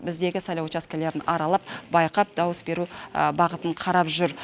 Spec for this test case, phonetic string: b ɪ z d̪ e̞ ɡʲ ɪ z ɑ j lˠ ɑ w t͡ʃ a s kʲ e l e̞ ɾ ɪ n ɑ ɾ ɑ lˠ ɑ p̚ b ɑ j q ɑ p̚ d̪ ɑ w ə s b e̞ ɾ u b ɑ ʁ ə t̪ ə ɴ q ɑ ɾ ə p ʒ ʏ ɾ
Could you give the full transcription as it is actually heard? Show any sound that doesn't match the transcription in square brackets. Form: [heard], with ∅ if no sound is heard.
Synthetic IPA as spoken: b ɪ z d̪ e̞ ɡʲ ɪ [s] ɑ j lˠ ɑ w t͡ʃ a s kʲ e l e̞ ɾ ɪ n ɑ ɾ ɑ lˠ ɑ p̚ b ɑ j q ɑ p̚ d̪ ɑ w ə s b e̞ ɾ u b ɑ ʁ ə t̪ ə ɴ [qʰ] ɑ ɾ [ɑ] p ʒ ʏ ɾ